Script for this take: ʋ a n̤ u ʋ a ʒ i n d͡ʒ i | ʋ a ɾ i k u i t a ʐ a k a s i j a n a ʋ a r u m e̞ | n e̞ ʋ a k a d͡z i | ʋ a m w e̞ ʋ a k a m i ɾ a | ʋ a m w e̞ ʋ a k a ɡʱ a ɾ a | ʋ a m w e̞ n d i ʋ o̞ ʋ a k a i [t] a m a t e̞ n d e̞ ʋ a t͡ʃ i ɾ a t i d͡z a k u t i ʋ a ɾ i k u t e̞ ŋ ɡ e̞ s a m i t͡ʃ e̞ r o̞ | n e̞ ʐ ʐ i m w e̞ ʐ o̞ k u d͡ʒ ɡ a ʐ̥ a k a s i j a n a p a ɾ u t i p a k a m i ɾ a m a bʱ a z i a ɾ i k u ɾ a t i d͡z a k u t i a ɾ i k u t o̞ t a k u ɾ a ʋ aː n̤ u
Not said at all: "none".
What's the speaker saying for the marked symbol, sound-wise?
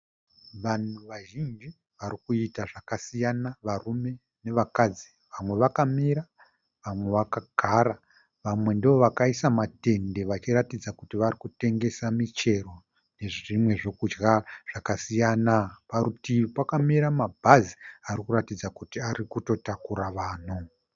s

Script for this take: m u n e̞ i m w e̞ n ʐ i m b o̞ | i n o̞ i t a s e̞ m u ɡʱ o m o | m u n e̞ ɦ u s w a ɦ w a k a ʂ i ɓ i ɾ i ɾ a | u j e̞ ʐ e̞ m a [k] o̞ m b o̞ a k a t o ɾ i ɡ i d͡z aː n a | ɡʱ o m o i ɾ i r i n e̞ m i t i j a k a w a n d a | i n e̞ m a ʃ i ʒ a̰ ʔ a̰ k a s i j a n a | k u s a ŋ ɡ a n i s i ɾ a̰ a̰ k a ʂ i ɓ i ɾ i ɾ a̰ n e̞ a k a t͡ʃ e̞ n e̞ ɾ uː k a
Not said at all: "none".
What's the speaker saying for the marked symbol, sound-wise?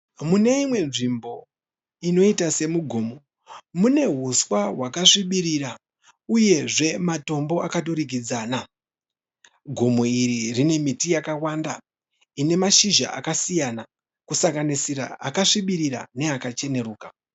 t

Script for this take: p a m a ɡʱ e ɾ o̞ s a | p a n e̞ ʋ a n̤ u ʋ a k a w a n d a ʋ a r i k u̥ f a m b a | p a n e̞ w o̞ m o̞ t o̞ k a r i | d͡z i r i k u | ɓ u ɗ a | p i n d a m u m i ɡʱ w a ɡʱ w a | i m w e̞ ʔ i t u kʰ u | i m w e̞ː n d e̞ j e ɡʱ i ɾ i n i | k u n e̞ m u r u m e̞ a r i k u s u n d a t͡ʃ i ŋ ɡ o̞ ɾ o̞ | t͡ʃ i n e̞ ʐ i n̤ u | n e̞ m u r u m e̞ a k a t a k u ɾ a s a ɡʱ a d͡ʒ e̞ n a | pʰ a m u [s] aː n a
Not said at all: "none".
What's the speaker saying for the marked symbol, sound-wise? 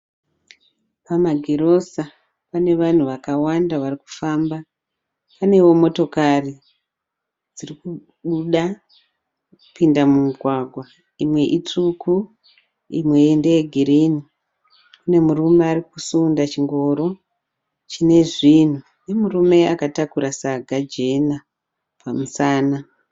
s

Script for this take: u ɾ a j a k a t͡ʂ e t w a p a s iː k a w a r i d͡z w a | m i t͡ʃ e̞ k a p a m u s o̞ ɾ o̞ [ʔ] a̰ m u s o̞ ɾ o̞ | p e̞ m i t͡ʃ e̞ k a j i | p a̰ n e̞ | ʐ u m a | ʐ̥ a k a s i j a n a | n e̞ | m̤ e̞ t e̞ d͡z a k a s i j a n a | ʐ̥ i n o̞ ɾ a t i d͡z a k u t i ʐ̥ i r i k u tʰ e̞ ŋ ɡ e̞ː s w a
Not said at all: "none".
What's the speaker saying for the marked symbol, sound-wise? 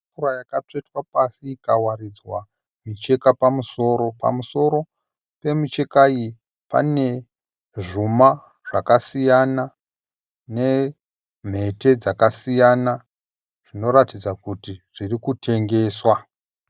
p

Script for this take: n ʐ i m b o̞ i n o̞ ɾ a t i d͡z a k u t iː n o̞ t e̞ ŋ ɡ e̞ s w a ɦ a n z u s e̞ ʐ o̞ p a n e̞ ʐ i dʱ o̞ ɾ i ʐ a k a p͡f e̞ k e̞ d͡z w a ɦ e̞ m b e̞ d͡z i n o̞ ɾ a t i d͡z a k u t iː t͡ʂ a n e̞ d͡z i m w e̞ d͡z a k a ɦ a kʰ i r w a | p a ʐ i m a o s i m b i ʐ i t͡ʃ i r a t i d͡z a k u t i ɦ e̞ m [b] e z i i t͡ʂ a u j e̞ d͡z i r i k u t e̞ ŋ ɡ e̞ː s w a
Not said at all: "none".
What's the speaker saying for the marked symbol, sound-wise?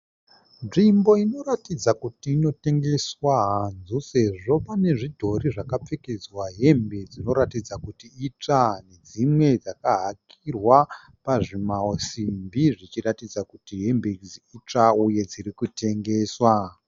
b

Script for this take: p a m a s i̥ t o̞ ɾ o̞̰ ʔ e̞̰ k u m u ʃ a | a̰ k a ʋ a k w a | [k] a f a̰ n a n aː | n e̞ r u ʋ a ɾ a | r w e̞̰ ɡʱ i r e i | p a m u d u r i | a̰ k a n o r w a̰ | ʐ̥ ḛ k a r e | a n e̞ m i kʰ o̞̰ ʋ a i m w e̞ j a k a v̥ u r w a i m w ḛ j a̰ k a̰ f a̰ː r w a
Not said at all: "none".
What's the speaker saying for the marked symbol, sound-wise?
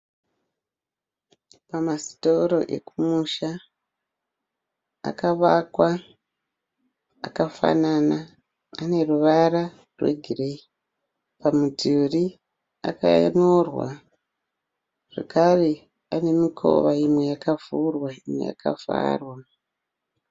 k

